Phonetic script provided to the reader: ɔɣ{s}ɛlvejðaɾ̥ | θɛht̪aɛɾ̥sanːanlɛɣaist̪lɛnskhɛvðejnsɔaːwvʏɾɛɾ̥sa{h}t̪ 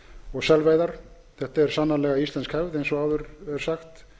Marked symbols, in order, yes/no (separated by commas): yes, no